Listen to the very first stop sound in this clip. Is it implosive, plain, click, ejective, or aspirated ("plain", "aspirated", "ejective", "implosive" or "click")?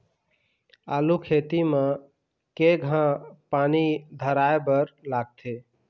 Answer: aspirated